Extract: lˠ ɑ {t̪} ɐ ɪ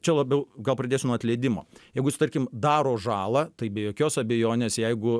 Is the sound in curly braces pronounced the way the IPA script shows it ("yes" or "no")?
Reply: yes